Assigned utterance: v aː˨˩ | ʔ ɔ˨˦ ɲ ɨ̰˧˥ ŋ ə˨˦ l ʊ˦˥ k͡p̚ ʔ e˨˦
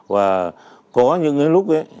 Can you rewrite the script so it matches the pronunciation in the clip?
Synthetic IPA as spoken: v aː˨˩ | k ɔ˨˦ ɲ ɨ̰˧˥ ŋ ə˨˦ l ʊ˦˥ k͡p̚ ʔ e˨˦